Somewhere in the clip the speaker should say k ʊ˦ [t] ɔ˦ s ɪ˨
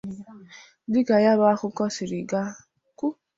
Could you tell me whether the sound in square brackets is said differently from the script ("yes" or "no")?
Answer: yes